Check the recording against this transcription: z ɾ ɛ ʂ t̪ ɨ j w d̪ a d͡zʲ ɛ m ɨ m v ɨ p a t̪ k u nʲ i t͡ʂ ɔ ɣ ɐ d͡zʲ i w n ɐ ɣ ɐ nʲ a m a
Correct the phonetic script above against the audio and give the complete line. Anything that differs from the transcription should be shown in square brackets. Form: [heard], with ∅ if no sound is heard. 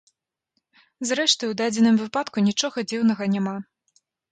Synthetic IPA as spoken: z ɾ ɛ ʂ t̪ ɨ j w d̪ a d͡zʲ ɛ [n] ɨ m v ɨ p a t̪ k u nʲ i t͡ʂ ɔ ɣ ɐ d͡zʲ i w n ɐ ɣ ɐ nʲ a m a